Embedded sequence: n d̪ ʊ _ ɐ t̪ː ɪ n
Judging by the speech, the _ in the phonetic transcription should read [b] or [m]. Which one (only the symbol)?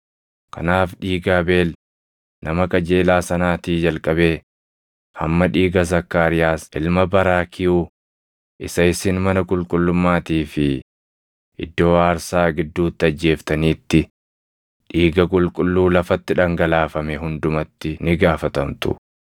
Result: m